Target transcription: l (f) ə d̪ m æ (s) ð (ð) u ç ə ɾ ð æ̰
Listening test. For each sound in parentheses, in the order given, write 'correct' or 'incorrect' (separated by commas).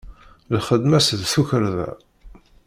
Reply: incorrect, correct, incorrect